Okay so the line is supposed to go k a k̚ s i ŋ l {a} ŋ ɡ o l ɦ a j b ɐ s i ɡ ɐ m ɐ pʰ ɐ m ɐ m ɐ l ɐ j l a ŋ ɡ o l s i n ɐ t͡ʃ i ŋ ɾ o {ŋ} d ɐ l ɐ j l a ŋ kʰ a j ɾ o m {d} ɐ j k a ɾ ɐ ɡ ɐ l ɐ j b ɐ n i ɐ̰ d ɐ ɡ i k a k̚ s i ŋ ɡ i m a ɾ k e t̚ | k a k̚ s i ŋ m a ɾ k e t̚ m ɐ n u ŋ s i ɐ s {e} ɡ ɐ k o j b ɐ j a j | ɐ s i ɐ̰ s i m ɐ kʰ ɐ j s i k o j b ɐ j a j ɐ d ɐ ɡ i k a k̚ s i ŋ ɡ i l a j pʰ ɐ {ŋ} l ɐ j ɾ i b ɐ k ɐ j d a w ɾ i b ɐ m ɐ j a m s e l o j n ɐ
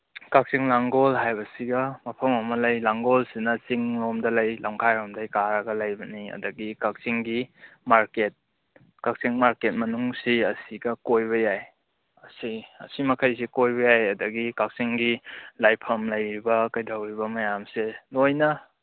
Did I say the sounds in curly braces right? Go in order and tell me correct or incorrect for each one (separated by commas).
correct, incorrect, correct, incorrect, incorrect